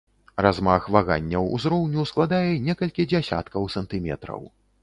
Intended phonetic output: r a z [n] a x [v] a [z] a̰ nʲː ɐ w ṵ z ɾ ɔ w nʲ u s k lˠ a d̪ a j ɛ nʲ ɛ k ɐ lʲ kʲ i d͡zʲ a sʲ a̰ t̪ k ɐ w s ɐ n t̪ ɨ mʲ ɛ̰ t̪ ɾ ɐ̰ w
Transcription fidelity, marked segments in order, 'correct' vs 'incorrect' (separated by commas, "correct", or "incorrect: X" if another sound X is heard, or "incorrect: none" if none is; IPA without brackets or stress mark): incorrect: m, correct, incorrect: ɣ